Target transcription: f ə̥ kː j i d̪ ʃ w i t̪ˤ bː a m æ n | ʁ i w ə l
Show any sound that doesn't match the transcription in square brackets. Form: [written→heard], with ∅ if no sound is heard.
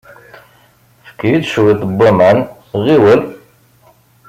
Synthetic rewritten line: f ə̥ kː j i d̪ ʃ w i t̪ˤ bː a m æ n | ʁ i w ə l